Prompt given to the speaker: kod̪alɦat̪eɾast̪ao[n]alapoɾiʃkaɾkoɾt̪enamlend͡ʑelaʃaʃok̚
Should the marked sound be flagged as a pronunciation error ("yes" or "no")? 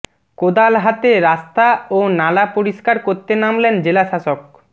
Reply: no